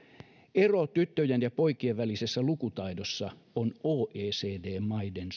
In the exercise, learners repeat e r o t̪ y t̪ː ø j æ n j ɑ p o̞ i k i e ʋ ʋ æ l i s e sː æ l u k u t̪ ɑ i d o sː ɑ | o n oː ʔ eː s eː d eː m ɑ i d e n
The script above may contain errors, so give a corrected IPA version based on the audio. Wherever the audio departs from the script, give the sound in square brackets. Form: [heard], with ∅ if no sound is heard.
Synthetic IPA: e r o t̪ y t̪ː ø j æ n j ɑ p o̞ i k i e ʋ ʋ æ l i s e sː æ l u k u t̪ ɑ i d o sː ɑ | o n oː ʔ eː s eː d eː m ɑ i d e n